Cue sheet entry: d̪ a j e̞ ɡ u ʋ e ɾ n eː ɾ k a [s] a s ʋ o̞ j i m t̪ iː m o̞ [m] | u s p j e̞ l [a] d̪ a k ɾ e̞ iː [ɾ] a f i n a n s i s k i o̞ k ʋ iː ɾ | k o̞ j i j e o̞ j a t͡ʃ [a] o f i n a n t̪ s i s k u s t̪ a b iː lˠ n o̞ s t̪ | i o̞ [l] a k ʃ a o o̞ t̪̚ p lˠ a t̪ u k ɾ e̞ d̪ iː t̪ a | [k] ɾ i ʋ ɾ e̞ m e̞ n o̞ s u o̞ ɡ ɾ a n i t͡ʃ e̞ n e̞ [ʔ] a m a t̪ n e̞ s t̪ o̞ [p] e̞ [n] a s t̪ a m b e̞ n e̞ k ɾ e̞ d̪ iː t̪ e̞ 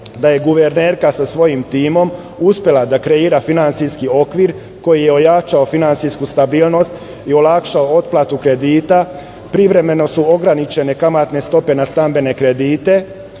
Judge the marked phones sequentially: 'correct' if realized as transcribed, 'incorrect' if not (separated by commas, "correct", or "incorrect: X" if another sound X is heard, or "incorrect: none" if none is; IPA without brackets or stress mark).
correct, correct, correct, correct, correct, correct, incorrect: p, incorrect: k, correct, correct